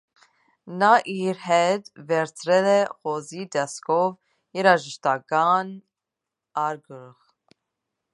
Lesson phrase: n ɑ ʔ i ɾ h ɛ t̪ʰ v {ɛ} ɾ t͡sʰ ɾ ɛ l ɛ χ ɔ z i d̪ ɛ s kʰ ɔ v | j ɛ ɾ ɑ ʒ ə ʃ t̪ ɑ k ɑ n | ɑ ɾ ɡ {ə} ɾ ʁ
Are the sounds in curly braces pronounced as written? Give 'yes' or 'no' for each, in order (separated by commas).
yes, yes